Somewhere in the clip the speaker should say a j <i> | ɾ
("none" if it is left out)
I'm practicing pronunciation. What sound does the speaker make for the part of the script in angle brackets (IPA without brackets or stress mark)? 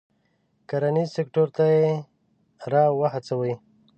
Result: e